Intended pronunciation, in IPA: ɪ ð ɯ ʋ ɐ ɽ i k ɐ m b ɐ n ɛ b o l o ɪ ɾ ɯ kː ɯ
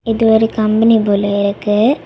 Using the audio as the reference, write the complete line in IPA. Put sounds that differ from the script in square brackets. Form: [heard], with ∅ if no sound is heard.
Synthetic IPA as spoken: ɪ ð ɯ ʋ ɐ [ɾ] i k ɐ m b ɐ n [i] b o l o ɪ ɾ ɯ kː ɯ

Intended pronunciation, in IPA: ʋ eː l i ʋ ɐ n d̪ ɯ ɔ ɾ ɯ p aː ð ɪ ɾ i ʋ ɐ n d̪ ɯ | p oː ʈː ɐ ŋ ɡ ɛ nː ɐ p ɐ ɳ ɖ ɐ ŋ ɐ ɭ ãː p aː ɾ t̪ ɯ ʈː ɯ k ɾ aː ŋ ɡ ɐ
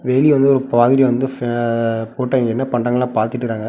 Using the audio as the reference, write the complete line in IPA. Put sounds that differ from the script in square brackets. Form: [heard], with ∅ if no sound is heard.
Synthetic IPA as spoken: ʋ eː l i ʋ ɐ n d̪ ɯ ɔ ɾ ɯ p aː ð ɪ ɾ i ʋ ɐ n d̪ ɯ | p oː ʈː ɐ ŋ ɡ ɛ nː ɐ p ɐ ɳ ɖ ɐ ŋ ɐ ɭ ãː p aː ɾ t̪ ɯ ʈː ɯ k ɾ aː ŋ ɡ ɐ

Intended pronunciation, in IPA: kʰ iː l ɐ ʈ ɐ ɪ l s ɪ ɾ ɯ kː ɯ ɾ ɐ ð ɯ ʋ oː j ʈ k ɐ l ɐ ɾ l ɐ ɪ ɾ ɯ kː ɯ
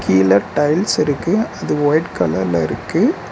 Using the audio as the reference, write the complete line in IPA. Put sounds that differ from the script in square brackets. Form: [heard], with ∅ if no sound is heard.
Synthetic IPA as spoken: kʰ iː l ɐ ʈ ɐ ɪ l s ɪ ɾ ɯ kː ɯ [∅] ɐ ð ɯ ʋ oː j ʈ k ɐ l ɐ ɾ l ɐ ɪ ɾ ɯ kː ɯ

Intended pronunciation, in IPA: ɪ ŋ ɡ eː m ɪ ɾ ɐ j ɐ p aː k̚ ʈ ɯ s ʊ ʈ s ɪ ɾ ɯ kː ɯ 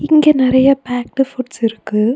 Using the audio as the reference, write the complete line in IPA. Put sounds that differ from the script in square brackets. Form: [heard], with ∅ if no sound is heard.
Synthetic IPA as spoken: ɪ ŋ ɡ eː [n] ɪ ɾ ɐ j ɐ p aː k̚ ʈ ɯ [f] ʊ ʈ s ɪ ɾ ɯ kː ɯ

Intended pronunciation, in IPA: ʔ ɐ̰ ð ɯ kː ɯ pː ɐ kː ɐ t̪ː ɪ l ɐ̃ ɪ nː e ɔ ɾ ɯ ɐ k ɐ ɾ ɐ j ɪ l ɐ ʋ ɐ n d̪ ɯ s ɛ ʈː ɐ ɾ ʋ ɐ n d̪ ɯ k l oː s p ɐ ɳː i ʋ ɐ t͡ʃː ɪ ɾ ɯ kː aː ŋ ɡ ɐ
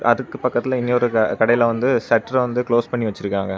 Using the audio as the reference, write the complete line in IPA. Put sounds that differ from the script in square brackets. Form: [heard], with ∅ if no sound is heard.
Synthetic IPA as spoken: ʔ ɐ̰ ð ɯ kː ɯ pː ɐ kː ɐ t̪ː ɪ l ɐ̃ ɪ nː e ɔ ɾ ɯ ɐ k ɐ [ɽ] ɐ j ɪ l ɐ ʋ ɐ n d̪ ɯ s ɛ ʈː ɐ ɾ ʋ ɐ n d̪ ɯ k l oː s p ɐ ɳː i ʋ ɐ t͡ʃː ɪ ɾ ɯ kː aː ŋ ɡ ɐ

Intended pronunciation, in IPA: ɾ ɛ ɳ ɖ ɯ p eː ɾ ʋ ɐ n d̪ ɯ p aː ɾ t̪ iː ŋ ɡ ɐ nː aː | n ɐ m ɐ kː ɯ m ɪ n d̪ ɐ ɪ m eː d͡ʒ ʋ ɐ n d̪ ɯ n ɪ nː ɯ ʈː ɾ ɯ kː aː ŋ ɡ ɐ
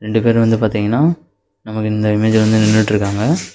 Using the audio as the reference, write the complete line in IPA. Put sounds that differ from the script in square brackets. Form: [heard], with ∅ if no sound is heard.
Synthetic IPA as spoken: ɾ ɛ ɳ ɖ ɯ p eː ɾ ʋ ɐ n d̪ ɯ p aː ɾ t̪ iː ŋ ɡ ɐ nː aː | n ɐ m ɐ kː ɯ [∅] ɪ n d̪ ɐ ɪ m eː d͡ʒ ʋ ɐ n d̪ ɯ n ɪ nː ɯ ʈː ɾ ɯ kː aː ŋ ɡ ɐ

